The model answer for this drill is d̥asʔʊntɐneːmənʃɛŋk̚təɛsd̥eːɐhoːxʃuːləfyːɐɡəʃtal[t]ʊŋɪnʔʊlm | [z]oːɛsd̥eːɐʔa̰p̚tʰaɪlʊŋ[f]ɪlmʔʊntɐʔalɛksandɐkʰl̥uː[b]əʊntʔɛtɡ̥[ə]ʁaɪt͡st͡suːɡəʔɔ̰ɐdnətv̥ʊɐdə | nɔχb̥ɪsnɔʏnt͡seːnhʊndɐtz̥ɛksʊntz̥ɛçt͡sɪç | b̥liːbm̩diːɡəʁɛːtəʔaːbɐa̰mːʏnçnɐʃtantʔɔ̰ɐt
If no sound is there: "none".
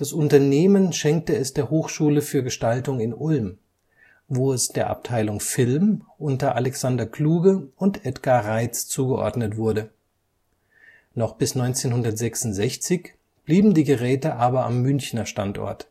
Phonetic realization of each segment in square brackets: t, v, f, ɡ, a

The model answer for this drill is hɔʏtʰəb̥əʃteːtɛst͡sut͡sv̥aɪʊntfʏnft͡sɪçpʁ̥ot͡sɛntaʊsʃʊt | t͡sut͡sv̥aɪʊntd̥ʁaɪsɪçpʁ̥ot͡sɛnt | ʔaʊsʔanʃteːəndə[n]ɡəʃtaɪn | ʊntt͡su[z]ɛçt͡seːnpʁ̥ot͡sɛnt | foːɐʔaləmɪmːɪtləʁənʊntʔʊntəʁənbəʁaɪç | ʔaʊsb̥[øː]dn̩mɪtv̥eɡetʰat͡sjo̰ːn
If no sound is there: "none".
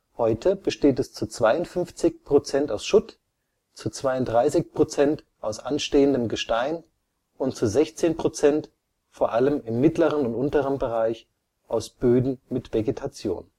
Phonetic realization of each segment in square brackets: m, z, øː

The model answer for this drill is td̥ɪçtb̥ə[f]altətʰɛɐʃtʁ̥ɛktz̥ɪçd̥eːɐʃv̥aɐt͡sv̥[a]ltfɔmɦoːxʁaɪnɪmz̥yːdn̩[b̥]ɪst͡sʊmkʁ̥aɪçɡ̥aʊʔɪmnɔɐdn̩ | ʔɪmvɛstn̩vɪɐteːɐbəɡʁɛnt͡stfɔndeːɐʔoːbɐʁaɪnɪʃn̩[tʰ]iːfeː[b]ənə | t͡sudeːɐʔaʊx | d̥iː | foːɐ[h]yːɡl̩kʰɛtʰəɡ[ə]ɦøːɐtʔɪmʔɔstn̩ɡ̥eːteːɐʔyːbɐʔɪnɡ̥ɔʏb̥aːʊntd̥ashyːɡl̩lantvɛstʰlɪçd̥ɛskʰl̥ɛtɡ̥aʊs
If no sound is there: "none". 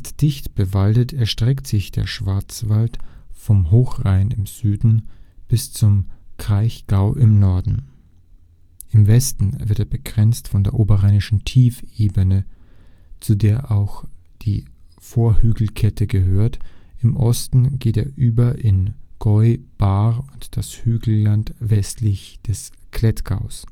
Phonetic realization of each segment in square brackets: v, a, b̥, tʰ, b, h, ə

